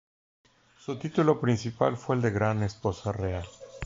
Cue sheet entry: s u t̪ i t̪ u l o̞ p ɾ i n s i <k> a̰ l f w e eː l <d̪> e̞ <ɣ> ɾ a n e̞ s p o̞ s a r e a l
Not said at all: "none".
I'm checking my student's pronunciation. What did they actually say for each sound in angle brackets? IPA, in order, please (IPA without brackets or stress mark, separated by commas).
p, d̪, ɣ